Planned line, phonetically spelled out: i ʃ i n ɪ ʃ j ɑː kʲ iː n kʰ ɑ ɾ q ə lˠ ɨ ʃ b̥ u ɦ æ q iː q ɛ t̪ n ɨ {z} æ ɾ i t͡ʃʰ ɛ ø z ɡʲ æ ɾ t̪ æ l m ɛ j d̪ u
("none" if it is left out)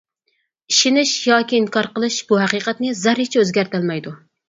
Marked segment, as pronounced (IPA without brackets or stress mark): z